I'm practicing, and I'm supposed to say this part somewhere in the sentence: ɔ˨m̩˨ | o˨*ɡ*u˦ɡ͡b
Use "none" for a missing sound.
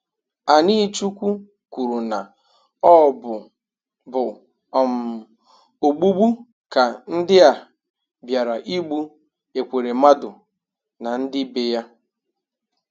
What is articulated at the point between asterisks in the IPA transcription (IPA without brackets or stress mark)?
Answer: ɡ͡b